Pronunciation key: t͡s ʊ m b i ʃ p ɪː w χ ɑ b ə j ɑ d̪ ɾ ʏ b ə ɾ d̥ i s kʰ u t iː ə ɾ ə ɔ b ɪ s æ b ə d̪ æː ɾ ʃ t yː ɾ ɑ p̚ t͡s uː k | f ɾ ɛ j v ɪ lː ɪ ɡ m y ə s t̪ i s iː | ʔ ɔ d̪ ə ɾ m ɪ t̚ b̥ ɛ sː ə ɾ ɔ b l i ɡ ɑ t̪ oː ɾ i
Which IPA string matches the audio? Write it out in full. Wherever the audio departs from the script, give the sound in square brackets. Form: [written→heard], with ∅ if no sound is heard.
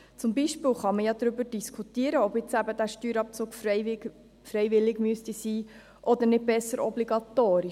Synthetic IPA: t͡s ʊ m b i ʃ p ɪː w χ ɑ [b→m] ə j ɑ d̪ ɾ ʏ b ə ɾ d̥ i s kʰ u t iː ə ɾ ə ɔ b ɪ [s→t͡s] æ b ə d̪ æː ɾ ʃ t yː ɾ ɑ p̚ t͡s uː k | f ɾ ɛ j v ɪ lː ɪ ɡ m y ə s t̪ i s iː | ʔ ɔ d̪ ə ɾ [m→n] ɪ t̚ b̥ ɛ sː ə ɾ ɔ b l i ɡ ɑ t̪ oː ɾ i